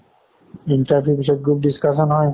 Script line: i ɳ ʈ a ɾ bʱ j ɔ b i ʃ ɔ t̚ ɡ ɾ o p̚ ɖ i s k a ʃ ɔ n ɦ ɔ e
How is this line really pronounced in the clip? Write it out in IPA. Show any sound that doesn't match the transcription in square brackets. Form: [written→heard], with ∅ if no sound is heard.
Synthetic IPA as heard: i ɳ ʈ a ɾ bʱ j [ɔ→u] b i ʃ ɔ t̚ ɡ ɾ [o→u] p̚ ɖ i s k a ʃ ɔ n ɦ ɔ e